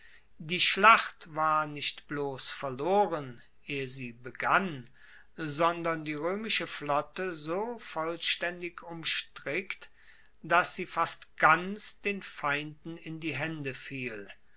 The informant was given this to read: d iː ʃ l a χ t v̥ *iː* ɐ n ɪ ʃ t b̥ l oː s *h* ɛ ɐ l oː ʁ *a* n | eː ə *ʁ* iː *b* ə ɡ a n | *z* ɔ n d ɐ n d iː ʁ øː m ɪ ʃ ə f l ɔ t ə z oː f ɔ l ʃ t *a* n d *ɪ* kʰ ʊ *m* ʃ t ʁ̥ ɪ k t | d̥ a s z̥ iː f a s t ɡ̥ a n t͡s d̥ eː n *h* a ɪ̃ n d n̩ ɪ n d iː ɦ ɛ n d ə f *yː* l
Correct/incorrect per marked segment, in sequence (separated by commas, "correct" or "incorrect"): incorrect, incorrect, incorrect, incorrect, correct, correct, incorrect, correct, correct, incorrect, incorrect